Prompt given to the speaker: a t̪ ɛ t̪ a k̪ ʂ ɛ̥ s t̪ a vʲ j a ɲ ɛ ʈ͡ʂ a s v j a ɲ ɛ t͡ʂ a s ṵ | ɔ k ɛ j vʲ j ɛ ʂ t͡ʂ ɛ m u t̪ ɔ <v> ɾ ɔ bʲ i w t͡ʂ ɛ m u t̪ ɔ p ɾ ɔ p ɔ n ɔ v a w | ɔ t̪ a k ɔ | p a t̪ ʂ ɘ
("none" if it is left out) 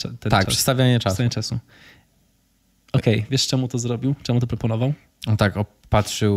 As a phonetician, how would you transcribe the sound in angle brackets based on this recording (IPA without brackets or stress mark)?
z